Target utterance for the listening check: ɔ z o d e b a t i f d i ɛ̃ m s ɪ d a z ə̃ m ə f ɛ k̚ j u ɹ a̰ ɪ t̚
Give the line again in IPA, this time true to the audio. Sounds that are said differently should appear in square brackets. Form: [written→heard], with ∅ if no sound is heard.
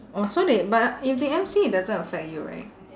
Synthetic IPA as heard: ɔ [z→s] o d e b a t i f d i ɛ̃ m s [ɪ→i] d a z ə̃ [m→n] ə f ɛ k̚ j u ɹ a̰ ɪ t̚